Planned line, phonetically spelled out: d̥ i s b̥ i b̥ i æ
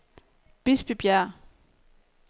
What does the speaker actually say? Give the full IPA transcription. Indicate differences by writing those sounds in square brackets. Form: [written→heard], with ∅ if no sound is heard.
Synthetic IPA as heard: [d̥→b̥] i s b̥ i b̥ [i→j] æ

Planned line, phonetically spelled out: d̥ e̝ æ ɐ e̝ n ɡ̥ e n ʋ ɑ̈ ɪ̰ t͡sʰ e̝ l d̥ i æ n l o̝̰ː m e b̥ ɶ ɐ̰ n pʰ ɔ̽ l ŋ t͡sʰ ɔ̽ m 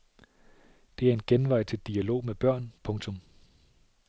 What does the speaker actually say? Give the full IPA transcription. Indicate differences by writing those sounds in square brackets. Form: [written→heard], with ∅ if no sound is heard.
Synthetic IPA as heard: d̥ e̝ æ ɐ e̝ n ɡ̥ e n ʋ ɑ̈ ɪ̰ t͡sʰ e̝ l d̥ i æ [n→∅] l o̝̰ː m e b̥ ɶ ɐ̰ n pʰ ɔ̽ [l→∅] ŋ t͡sʰ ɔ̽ m

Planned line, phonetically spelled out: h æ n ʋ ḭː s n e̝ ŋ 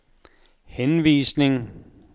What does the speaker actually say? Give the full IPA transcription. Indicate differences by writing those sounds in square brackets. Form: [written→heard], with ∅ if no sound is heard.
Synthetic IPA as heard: h [æ→e] n ʋ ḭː s n e̝ ŋ

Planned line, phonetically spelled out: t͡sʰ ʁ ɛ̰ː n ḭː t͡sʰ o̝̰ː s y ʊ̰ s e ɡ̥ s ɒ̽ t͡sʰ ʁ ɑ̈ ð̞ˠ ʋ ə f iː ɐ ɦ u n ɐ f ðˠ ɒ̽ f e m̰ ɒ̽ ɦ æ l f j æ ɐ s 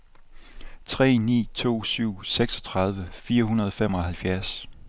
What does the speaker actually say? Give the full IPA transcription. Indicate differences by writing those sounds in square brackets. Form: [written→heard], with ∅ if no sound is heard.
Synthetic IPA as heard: t͡sʰ ʁ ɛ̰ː n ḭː t͡sʰ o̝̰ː s y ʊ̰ s e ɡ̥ s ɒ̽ t͡sʰ ʁ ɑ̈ ð̞ˠ ʋ ə f iː ɐ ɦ u n ɐ [f→∅] ðˠ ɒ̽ f e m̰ ɒ̽ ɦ æ l f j æ ɐ s

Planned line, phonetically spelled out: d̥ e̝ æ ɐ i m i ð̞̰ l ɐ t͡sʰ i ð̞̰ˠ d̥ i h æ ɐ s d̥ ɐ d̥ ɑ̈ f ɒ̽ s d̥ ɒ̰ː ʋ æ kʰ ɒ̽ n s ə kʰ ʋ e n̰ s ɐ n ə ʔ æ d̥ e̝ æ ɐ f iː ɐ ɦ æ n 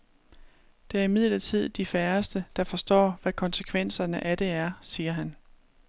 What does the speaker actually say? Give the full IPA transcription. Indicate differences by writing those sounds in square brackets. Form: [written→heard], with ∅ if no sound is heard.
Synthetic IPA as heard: d̥ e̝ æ ɐ i m i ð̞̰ l ɐ t͡sʰ i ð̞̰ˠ d̥ i [h→f] æ ɐ s d̥ [ɐ→ə] d̥ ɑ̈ f ɒ̽ s d̥ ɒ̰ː ʋ æ kʰ ɒ̽ n s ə kʰ ʋ e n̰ s ɐ n ə ʔ æ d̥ e̝ æ ɐ [f→s] iː ɐ ɦ æ n

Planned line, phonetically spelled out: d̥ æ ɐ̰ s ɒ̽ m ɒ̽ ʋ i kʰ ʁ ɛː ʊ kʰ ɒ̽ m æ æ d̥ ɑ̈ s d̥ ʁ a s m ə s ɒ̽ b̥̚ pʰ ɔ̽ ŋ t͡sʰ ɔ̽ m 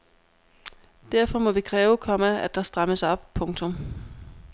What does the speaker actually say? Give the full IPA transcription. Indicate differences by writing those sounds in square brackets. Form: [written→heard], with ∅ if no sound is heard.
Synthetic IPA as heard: d̥ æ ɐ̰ [s→f] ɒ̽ m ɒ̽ ʋ i kʰ ʁ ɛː ʊ kʰ ɒ̽ m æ æ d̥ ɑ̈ s d̥ ʁ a [s→∅] m ə s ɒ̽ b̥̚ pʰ ɔ̽ ŋ t͡sʰ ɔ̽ m

